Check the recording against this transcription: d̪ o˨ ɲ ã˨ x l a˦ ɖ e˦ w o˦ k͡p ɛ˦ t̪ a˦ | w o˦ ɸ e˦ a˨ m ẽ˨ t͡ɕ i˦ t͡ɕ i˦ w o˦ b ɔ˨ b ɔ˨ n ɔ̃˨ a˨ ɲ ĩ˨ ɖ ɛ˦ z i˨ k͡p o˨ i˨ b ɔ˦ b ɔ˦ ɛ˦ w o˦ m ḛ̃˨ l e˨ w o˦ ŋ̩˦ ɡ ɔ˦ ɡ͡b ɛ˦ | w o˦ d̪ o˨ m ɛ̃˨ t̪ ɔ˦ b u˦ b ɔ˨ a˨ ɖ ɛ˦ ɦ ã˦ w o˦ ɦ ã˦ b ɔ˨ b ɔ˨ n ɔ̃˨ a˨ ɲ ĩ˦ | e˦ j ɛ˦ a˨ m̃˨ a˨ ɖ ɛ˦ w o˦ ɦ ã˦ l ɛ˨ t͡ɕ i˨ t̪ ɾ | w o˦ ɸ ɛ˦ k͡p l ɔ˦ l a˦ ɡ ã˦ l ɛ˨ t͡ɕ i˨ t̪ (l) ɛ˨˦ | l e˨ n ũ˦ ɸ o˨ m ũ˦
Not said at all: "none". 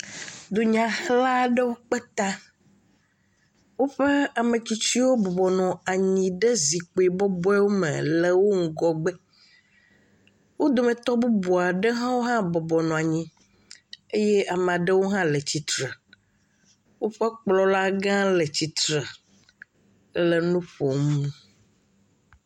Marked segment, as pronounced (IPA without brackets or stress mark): ɾ